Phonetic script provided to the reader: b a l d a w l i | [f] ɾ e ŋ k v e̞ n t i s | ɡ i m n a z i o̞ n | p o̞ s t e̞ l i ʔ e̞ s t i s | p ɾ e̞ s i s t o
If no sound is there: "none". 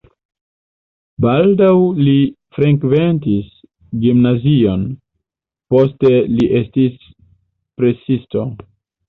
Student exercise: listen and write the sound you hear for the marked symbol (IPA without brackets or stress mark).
f